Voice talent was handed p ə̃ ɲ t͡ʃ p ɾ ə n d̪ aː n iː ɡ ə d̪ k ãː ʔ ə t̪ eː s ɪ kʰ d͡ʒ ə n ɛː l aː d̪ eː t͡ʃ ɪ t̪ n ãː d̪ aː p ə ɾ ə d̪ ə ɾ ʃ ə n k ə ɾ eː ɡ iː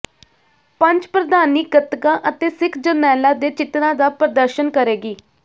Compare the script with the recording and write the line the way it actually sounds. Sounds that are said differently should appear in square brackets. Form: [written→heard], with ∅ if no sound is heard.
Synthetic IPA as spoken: p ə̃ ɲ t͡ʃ p ɾ ə [n→∅] d̪ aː n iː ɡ ə [d̪→t̪] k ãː ʔ ə t̪ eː s ɪ kʰ d͡ʒ ə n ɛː l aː d̪ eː t͡ʃ ɪ t̪ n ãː d̪ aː p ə ɾ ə d̪ ə ɾ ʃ ə n k ə ɾ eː ɡ iː